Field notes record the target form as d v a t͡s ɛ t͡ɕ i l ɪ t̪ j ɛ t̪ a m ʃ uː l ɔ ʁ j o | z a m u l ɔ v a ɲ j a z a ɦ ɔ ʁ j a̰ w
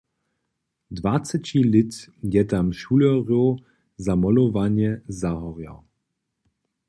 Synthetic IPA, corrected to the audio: d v a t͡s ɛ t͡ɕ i l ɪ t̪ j ɛ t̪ a m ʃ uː l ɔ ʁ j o | z a m ɔ l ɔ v a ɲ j ɛ z a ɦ ɔ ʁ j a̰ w